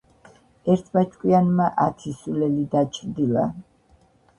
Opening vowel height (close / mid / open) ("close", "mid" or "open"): mid